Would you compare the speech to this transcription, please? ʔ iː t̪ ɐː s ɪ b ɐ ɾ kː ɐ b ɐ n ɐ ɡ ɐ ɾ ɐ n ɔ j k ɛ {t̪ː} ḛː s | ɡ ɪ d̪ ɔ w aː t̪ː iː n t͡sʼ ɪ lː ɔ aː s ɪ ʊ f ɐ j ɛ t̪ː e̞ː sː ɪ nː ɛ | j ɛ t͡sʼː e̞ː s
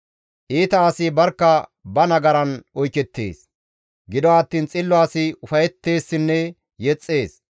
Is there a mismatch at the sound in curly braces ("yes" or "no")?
no